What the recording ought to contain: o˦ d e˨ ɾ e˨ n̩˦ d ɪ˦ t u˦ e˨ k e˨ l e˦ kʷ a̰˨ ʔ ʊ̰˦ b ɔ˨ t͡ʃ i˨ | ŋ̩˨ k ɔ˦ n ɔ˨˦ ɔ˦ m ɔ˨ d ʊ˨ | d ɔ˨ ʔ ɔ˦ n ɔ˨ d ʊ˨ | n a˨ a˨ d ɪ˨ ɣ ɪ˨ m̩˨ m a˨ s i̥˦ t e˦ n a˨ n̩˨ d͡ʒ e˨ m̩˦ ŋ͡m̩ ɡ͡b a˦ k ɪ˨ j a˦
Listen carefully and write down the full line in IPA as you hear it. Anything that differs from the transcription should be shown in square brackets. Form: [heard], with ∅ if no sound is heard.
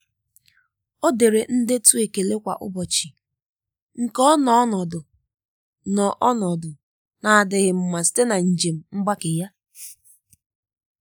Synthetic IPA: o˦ d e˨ ɾ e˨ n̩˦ d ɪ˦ t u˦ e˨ k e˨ l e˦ kʷ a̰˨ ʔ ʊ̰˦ b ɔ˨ t͡ʃ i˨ | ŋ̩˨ k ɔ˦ n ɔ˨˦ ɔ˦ [n] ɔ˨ d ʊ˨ | [n] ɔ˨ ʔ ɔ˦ n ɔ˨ d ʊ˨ | n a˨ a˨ d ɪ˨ ɣ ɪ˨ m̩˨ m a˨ s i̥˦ t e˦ n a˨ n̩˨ d͡ʒ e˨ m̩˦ ŋ͡m̩ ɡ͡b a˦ k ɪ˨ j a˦